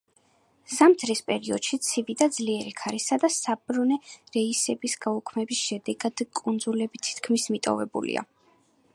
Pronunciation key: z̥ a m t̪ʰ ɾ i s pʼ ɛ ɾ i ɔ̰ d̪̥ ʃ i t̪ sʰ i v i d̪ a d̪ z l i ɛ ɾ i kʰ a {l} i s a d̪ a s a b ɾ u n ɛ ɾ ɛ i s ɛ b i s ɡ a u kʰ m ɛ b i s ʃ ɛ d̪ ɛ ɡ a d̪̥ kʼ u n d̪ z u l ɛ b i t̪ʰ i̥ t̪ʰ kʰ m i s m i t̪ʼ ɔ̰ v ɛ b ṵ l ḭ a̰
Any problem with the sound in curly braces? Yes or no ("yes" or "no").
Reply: yes